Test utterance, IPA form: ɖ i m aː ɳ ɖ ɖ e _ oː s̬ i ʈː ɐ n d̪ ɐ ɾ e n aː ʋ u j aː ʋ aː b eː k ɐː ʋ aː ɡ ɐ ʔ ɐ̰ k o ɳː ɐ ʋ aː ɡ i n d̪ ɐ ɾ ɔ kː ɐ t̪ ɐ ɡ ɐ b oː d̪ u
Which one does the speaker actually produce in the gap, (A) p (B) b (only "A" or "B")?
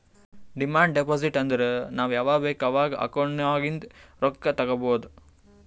A